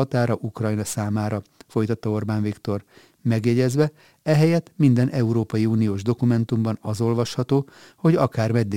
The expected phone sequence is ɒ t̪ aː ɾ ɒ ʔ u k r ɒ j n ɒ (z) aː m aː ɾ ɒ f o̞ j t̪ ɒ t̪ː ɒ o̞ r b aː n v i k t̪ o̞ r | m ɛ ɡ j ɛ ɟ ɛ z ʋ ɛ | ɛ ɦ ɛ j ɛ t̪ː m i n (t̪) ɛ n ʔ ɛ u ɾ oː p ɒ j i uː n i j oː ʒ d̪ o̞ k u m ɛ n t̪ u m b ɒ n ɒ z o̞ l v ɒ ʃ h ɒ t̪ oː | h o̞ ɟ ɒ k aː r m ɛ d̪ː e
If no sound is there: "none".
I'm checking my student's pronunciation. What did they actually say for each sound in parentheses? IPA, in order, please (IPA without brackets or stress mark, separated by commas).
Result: s, d̪